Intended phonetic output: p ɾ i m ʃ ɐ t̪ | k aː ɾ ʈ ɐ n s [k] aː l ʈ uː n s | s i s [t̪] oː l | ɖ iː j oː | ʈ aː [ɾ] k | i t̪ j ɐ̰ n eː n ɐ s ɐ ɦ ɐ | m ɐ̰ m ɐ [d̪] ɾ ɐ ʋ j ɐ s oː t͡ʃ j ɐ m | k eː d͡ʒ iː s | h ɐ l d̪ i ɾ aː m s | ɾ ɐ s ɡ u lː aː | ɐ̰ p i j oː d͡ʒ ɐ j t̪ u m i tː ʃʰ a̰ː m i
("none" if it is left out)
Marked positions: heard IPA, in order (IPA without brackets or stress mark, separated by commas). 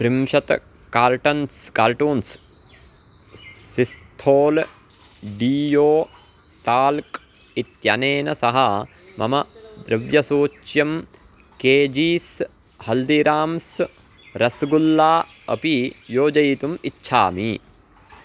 k, t̪ʰ, l, d̪